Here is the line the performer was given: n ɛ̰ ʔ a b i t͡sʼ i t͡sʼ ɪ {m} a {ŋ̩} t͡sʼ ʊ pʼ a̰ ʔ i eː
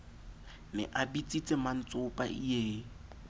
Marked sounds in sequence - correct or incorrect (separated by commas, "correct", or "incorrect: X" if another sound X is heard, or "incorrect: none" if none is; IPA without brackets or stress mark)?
correct, incorrect: n̩